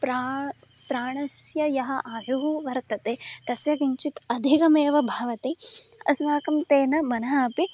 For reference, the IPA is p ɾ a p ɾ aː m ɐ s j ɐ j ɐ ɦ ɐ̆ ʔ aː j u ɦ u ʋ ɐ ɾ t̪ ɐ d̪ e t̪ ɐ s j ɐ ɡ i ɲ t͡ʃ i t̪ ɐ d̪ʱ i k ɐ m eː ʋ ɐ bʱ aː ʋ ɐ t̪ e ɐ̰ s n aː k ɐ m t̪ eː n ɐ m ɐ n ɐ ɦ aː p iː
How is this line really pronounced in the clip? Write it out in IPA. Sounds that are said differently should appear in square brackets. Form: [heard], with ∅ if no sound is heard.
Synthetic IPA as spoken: p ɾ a p ɾ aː [ɳ] ɐ s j ɐ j ɐ ɦ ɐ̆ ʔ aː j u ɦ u ʋ ɐ ɾ t̪ ɐ [t̪] e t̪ ɐ s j ɐ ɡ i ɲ t͡ʃ i t̪ ɐ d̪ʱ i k ɐ m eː ʋ ɐ bʱ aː ʋ ɐ t̪ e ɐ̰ s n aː k ɐ m t̪ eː n ɐ m ɐ n ɐ ɦ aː p [i]